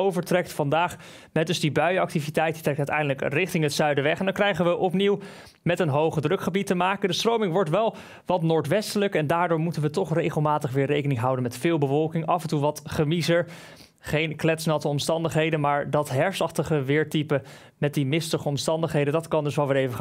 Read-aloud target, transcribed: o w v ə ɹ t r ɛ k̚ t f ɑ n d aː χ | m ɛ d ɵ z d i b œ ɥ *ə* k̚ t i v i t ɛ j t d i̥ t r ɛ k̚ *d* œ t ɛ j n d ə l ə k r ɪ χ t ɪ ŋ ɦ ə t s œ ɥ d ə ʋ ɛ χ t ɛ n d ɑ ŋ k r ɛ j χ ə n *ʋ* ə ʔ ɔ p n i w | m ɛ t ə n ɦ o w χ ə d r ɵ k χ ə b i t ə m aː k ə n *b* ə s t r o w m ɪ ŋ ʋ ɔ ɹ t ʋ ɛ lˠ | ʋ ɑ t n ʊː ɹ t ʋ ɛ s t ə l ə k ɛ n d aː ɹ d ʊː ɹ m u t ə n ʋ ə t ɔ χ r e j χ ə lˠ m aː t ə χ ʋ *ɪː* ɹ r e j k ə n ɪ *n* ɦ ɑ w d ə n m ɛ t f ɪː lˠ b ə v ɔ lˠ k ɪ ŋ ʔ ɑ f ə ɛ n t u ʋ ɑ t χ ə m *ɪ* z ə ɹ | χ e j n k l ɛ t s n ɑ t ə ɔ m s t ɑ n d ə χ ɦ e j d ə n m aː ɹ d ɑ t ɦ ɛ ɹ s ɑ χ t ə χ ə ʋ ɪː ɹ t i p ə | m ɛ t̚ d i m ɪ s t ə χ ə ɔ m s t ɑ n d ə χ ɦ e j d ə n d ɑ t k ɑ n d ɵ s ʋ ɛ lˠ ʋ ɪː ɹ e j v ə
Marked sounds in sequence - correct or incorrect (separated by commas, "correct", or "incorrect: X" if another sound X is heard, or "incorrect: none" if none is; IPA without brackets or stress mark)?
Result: incorrect: ɑ, incorrect: t, correct, incorrect: d, correct, incorrect: ŋ, incorrect: i